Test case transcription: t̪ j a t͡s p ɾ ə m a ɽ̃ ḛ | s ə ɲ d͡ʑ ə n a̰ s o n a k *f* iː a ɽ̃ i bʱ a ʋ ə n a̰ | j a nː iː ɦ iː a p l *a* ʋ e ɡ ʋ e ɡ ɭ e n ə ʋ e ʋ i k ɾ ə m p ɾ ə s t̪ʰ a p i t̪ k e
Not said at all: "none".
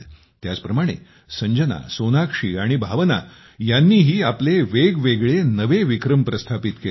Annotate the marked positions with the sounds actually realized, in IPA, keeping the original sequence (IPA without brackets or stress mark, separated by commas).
ʂ, e